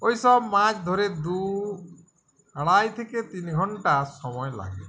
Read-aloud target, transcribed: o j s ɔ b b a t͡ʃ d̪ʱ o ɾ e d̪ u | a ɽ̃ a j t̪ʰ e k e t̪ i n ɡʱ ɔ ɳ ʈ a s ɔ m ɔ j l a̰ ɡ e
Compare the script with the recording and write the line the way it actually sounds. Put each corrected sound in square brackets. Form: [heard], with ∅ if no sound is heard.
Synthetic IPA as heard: o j s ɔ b [m] a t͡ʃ d̪ʱ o ɾ e d̪ u | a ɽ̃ a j t̪ʰ e k e t̪ i n ɡʱ ɔ ɳ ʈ a s ɔ m ɔ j l a̰ ɡ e